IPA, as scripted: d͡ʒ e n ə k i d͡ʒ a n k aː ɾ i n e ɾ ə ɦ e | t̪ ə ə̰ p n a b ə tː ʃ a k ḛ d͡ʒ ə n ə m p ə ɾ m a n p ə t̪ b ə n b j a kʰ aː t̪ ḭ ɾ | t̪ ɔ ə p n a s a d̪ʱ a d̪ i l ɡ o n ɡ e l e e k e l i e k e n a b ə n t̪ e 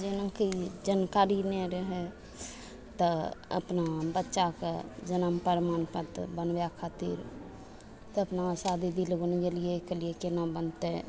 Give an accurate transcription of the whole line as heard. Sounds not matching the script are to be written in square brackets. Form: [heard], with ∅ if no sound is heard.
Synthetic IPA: d͡ʒ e n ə k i d͡ʒ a n k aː ɾ i n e ɾ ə ɦ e | t̪ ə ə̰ p n a b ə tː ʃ a k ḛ d͡ʒ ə n ə m p ə ɾ m a n p ə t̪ b ə n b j a kʰ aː t̪ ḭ ɾ | t̪ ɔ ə p n a s a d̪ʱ [i] d̪ i l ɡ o n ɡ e l [i] e k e l i e k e n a b ə n t̪ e